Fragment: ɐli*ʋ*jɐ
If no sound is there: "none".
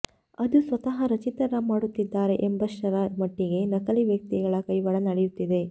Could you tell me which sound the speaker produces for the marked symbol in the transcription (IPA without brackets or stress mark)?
ʋ